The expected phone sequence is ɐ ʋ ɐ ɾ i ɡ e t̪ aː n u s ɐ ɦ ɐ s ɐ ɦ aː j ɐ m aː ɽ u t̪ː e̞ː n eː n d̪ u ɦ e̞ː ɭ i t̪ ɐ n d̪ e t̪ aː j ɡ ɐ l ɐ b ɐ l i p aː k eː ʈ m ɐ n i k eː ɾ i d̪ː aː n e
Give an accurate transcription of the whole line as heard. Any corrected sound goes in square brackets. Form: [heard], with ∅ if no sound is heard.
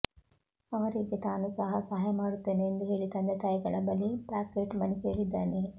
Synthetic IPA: ɐ ʋ ɐ ɾ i ɡ e t̪ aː n u s ɐ ɦ ɐ s ɐ ɦ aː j ɐ m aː ɽ u t̪ː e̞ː n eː n d̪ u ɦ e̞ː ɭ i t̪ ɐ n d̪ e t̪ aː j ɡ ɐ [ɭ] ɐ b ɐ l i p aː k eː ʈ m ɐ n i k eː [ɭ] i d̪ː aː n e